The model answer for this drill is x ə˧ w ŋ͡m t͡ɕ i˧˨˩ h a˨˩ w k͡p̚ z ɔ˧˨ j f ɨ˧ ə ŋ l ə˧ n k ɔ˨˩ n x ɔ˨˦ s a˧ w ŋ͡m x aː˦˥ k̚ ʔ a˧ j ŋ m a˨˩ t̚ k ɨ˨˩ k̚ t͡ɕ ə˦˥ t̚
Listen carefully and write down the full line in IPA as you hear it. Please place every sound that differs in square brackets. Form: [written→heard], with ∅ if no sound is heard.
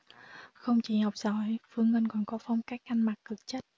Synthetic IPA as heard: x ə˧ w ŋ͡m t͡ɕ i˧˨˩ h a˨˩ w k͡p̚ z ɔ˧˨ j f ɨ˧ ə ŋ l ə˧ n k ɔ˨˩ n [x→k] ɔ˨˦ [s→f] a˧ w ŋ͡m [x→k] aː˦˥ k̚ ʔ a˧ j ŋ m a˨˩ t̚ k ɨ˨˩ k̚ t͡ɕ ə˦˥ t̚

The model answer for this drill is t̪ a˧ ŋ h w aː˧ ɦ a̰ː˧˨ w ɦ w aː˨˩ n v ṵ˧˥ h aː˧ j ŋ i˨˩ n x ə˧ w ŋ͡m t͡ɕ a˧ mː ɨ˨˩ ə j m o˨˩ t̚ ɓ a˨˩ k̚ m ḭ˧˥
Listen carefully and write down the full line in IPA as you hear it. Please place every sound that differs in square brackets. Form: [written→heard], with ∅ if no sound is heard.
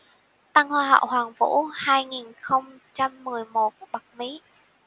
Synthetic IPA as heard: t̪ a˧ ŋ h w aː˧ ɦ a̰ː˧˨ w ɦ w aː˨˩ [n→ŋ] v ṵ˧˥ h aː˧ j ŋ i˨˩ n x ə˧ w ŋ͡m t͡ɕ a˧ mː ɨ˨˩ ə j m o˨˩ t̚ ɓ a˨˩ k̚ m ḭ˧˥

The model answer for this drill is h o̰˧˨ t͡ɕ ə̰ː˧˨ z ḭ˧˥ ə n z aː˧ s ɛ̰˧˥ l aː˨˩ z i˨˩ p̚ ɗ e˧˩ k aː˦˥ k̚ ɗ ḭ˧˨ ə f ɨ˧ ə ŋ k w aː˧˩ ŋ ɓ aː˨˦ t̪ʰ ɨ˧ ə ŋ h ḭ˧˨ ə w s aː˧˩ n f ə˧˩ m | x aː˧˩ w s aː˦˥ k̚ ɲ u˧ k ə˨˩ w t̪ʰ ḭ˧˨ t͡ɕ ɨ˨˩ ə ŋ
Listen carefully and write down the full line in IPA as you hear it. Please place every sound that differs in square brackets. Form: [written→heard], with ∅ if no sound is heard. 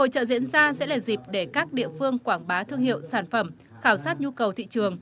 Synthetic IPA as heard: h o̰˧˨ t͡ɕ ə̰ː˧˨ z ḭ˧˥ ə n z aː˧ s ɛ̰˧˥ l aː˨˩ z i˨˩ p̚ ɗ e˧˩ k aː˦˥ k̚ ɗ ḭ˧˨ ə f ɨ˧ ə ŋ k w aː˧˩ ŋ ɓ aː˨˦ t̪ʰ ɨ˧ ə ŋ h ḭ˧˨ ə w s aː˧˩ n f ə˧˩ m | x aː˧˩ w s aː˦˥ [k̚→t̚] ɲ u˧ k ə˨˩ w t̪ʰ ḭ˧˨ t͡ɕ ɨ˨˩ ə ŋ

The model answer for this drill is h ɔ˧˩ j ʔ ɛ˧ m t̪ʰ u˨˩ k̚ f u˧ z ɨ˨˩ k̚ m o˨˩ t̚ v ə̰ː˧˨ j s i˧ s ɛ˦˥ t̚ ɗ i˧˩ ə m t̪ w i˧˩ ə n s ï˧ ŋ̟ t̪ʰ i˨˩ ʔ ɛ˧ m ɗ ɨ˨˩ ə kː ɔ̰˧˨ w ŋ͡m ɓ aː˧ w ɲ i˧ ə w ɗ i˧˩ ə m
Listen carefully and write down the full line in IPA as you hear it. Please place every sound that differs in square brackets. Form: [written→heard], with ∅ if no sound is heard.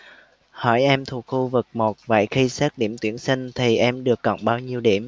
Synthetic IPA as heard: h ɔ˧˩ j ʔ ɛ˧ m t̪ʰ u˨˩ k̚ [f→x] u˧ [z→v] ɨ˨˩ k̚ m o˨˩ t̚ v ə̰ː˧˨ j [s→x] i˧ s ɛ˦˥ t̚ ɗ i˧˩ ə m t̪ w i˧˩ ə n s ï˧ ŋ̟ t̪ʰ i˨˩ ʔ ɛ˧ m ɗ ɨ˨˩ ə kː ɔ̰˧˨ w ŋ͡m ɓ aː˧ w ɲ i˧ ə w ɗ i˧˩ ə m

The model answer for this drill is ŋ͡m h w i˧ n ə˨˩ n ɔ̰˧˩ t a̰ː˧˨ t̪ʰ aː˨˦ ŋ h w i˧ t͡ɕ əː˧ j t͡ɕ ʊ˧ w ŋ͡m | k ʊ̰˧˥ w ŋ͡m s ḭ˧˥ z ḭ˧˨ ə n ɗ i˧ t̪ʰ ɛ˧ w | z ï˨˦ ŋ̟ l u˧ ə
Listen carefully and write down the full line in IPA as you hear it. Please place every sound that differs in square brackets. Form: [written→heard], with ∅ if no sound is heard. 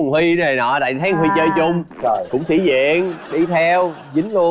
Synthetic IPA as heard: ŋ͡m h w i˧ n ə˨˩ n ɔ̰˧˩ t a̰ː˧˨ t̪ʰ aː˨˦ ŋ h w i˧ t͡ɕ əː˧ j t͡ɕ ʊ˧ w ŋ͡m | k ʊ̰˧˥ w ŋ͡m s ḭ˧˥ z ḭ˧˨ ə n ɗ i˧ t̪ʰ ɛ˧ w | z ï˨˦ ŋ̟ l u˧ ə

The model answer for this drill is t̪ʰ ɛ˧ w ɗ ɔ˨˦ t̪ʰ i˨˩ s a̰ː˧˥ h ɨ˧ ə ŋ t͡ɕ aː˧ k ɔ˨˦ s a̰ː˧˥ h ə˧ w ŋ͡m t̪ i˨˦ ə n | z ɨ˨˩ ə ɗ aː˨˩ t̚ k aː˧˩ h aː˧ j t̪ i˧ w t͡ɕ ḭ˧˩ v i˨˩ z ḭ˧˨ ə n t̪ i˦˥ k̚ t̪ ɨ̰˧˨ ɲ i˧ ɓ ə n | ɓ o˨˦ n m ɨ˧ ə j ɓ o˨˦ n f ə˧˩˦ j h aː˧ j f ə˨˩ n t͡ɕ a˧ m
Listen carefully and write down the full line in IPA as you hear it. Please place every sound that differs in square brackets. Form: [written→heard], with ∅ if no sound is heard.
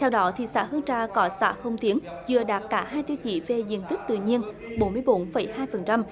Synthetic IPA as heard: t̪ʰ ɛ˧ w ɗ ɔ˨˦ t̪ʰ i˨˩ s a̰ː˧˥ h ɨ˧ ə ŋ t͡ɕ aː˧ k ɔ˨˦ s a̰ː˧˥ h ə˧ w ŋ͡m t̪ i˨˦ ə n | z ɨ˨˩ ə ɗ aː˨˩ t̚ k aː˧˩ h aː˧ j t̪ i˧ w t͡ɕ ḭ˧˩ v [i˨˩→e˨˩] z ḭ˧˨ ə n t̪ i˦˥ k̚ t̪ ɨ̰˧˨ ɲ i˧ [ɓ→∅] ə n | ɓ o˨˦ n m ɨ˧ ə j ɓ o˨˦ n f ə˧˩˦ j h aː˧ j f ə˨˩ n t͡ɕ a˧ m

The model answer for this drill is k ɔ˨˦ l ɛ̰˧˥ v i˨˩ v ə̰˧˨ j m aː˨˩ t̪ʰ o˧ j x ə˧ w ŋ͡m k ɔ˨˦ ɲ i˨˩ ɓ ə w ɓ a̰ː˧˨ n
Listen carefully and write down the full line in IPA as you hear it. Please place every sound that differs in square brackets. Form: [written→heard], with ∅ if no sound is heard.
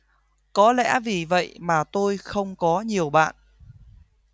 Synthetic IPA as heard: k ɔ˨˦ l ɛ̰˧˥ v i˨˩ v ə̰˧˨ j m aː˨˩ [t̪ʰ→t̪] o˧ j x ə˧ w ŋ͡m k ɔ˨˦ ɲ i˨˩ [ɓ→∅] ə w ɓ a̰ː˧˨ n

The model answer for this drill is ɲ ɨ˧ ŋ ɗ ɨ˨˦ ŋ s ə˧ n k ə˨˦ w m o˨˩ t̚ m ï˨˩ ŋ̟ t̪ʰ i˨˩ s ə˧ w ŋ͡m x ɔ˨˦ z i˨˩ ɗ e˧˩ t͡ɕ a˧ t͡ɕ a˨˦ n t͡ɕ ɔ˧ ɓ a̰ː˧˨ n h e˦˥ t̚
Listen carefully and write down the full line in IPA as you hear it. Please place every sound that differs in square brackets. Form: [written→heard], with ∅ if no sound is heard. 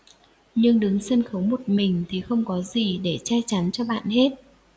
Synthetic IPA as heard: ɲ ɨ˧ ŋ ɗ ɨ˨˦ ŋ s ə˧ n [k→x] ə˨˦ w m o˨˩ t̚ m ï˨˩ ŋ̟ t̪ʰ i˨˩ [s→x] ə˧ w ŋ͡m [x→k] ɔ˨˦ z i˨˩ ɗ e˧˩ t͡ɕ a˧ t͡ɕ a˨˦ n t͡ɕ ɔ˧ ɓ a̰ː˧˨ n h e˦˥ t̚

